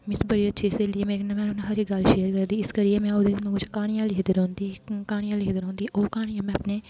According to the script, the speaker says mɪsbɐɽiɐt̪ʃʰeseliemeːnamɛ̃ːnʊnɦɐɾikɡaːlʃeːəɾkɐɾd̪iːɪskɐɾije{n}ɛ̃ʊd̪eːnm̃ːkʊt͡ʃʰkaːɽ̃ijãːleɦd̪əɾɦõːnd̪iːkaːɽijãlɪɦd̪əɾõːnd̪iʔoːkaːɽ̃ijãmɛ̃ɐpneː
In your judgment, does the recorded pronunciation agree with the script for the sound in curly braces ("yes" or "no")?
no